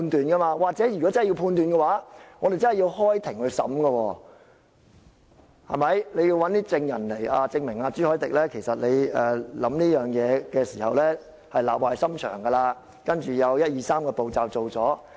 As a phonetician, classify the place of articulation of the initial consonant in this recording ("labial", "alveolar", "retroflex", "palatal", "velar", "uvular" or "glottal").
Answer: alveolar